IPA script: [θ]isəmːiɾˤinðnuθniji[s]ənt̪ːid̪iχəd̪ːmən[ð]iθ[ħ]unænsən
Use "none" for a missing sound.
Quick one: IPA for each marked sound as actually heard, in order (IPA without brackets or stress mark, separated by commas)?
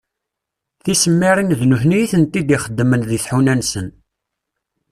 θ, θ, ð, ħ